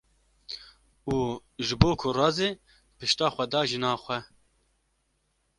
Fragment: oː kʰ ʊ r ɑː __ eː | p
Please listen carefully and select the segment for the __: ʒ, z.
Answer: z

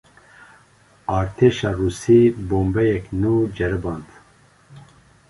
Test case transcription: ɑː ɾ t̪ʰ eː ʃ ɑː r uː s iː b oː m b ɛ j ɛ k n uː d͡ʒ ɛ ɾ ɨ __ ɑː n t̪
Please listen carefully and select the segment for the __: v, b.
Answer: b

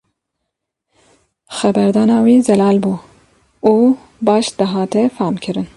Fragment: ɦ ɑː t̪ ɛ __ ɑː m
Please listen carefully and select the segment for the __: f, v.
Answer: f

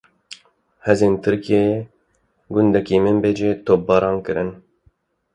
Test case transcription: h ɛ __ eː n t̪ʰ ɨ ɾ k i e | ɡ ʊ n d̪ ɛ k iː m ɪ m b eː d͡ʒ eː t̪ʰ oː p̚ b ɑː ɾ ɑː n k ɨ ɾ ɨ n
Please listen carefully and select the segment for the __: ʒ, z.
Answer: z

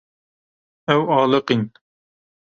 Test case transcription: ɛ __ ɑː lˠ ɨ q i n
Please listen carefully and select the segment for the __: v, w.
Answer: w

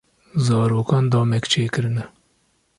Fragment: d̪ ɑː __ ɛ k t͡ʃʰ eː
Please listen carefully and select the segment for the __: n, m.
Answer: m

